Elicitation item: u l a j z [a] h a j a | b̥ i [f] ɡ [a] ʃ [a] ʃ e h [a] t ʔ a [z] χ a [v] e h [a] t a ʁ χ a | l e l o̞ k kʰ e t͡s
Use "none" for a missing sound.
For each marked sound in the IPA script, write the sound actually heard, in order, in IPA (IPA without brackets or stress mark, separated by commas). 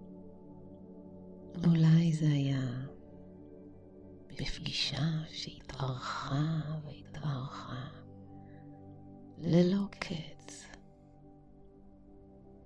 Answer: e, f, i, a, i, ʁ, v, i